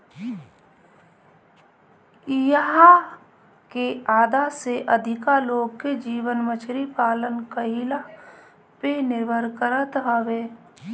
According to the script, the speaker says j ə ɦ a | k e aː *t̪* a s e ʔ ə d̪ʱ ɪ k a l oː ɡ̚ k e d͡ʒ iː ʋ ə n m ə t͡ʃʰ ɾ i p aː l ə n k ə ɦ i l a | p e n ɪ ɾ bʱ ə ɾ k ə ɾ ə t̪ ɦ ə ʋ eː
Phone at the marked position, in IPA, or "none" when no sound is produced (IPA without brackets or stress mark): d̪